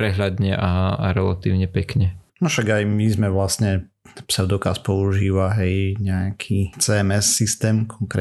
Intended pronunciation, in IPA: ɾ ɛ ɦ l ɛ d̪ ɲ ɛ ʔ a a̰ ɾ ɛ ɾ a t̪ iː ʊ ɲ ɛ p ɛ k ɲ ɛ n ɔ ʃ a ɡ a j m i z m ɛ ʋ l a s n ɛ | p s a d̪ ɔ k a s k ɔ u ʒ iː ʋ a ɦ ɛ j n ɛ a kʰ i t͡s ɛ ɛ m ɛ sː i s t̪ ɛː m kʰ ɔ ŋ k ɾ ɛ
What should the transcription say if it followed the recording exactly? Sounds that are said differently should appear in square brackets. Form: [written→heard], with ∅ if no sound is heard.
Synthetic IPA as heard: ɾ ɛ ɦ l [ɛ→a] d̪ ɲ ɛ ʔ a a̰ ɾ ɛ [ɾ→l] a t̪ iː ʊ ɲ ɛ p ɛ k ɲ ɛ n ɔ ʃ a ɡ a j m i z m ɛ ʋ l a s [n→ɲ] ɛ | p s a d̪ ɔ k a s [k→p] ɔ u ʒ iː ʋ a ɦ ɛ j [n→ɲ] ɛ a kʰ i t͡s ɛ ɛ m ɛ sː i s t̪ ɛː m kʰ ɔ ŋ k ɾ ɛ